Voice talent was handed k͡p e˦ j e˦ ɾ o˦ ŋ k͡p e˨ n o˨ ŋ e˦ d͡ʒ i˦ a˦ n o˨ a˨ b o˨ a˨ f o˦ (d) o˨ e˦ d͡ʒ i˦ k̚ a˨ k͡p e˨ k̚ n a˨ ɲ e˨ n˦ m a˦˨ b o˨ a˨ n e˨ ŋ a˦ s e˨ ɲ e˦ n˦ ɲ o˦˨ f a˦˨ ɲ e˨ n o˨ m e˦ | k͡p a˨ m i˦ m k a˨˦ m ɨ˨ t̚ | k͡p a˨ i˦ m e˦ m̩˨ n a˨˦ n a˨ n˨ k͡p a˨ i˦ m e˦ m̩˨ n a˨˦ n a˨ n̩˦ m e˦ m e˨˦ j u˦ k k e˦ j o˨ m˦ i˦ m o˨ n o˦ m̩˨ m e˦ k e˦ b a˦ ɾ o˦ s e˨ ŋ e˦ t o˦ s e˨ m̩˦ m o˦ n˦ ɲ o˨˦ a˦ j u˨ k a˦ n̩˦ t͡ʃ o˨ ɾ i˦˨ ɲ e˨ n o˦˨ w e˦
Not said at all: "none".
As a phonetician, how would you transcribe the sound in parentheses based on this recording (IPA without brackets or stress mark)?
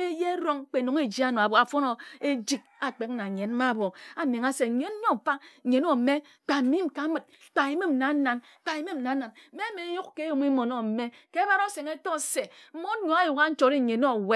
n